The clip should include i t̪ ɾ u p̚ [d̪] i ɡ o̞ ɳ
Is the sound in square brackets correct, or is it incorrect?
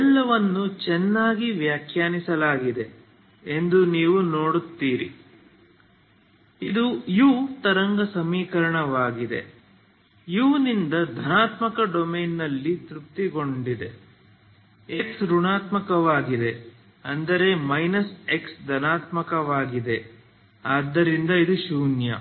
incorrect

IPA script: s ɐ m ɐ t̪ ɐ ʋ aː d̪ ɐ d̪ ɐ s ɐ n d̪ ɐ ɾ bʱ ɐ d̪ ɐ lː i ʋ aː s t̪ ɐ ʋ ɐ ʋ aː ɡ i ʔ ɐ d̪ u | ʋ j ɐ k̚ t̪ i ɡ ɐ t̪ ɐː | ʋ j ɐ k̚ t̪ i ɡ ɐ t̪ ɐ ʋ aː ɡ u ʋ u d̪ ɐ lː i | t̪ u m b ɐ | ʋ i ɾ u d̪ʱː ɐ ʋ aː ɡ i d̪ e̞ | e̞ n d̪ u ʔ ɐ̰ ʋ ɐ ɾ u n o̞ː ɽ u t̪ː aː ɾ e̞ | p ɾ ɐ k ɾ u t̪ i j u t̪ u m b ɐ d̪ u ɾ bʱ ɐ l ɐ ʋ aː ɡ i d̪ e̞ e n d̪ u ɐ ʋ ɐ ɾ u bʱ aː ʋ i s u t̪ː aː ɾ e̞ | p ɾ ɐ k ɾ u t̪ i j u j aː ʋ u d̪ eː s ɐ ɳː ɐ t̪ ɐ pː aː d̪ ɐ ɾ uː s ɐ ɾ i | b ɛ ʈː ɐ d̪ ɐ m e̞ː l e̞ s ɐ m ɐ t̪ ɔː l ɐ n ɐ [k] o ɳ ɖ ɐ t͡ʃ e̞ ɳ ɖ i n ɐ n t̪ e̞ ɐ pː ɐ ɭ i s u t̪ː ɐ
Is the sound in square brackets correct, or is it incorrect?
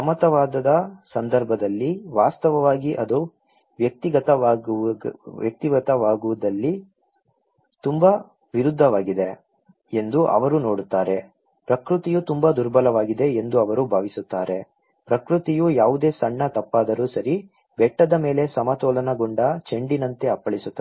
incorrect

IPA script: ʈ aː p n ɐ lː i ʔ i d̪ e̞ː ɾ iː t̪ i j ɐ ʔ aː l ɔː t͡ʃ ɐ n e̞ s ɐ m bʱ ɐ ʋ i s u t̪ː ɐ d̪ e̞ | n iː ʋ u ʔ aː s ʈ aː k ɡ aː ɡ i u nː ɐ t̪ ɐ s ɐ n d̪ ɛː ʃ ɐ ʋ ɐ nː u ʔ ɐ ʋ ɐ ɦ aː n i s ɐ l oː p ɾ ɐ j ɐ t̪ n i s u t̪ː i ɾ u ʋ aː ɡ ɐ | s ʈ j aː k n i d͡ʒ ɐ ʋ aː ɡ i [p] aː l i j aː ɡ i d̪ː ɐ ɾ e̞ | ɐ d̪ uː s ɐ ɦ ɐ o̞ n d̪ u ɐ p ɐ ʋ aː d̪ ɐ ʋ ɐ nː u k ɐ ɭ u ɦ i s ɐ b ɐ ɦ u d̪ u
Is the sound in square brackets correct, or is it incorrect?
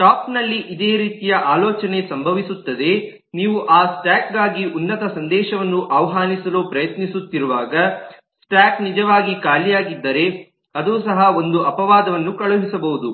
incorrect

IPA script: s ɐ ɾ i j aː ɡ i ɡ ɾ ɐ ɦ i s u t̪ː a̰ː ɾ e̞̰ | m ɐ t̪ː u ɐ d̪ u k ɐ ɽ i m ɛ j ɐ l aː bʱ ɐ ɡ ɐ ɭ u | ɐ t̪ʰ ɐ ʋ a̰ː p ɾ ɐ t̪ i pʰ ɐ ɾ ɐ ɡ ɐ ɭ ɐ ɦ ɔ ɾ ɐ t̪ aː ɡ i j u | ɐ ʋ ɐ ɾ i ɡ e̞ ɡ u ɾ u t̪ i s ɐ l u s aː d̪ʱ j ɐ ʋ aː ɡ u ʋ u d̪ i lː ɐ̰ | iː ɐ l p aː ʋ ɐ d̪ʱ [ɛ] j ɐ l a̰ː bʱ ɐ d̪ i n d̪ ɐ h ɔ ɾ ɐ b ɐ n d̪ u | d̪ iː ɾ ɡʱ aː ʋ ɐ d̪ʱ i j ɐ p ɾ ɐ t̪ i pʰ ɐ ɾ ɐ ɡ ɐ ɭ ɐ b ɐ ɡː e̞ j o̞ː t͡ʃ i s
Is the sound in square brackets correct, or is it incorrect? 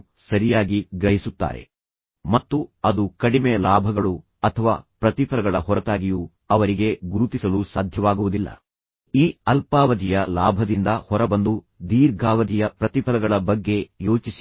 incorrect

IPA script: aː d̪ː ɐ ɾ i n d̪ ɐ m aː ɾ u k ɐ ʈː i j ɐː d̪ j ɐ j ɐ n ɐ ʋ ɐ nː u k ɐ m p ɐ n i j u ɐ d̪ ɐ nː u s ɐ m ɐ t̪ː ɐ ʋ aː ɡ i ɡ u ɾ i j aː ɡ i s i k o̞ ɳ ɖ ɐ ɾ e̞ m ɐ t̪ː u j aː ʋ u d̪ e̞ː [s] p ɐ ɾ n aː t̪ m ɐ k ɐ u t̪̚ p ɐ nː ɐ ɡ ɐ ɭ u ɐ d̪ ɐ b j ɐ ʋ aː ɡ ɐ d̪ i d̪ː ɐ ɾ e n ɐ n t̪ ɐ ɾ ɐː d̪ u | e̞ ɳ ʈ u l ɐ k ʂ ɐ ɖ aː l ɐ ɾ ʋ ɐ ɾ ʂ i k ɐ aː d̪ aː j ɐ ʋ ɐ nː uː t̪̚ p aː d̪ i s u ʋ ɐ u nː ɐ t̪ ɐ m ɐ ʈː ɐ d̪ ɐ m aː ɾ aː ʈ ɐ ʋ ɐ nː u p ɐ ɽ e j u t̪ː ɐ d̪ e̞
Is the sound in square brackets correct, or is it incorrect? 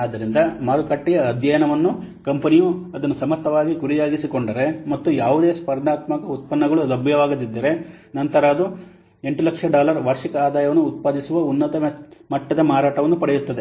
correct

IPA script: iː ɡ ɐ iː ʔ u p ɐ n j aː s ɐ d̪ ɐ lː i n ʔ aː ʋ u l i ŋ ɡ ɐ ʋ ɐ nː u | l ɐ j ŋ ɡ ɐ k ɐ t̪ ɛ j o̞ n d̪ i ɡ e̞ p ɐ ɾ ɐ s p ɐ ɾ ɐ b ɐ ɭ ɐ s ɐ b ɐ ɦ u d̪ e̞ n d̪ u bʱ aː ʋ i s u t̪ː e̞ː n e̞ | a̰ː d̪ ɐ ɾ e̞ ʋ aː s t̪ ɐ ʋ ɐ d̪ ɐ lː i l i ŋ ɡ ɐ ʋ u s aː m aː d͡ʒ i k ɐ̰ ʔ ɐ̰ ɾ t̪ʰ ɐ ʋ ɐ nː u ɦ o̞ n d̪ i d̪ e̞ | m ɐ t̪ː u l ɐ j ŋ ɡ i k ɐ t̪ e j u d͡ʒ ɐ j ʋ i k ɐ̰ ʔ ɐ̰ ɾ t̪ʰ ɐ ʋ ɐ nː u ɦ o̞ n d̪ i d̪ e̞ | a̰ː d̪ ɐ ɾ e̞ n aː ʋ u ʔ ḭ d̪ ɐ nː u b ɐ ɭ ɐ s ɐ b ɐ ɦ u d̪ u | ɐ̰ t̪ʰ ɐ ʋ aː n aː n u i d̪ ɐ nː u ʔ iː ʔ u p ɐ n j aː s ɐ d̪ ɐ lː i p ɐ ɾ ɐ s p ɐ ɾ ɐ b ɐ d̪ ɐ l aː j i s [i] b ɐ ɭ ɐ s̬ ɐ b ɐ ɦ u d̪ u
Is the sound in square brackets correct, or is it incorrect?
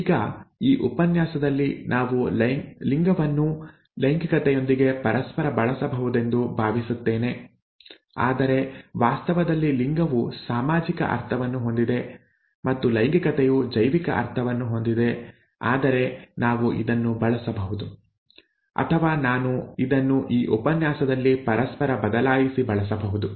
correct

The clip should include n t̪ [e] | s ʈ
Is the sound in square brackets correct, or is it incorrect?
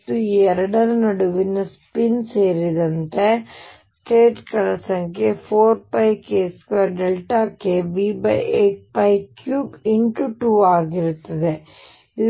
correct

